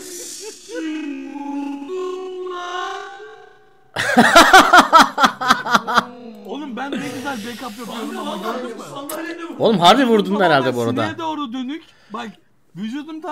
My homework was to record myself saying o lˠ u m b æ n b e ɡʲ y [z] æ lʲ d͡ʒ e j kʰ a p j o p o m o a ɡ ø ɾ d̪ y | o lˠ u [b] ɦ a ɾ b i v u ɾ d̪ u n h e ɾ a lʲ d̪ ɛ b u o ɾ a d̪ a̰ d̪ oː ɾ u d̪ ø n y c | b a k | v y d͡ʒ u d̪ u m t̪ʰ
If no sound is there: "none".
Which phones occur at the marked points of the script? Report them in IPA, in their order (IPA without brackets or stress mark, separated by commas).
z, m